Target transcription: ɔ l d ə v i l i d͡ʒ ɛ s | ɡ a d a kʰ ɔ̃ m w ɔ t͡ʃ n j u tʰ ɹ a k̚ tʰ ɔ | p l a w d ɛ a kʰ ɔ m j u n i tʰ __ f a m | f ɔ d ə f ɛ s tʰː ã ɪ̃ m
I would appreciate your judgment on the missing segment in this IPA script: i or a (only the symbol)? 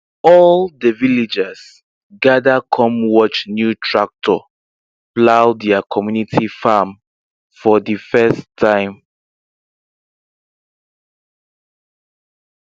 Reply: i